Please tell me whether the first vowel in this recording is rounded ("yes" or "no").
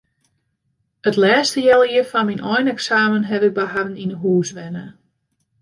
no